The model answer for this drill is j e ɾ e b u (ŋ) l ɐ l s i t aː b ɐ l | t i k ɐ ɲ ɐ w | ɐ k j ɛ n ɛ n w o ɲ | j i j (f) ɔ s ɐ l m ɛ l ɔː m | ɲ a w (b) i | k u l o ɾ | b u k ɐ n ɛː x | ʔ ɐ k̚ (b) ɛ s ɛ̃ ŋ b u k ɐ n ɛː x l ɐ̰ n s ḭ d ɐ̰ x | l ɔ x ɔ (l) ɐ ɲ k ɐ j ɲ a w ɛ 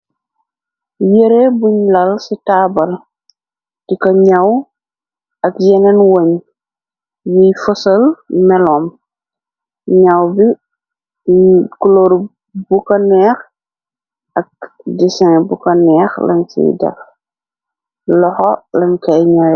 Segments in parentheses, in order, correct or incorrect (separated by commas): incorrect, correct, correct, incorrect, correct